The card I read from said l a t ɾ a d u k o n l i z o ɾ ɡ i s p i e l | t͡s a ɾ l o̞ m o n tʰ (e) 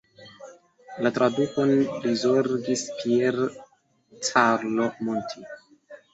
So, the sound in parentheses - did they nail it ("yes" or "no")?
no